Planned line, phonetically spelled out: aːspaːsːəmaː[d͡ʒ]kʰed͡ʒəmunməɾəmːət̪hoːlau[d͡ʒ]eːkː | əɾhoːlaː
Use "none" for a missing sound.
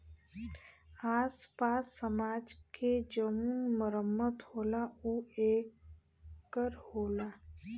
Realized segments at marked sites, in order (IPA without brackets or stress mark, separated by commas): d͡ʒ, none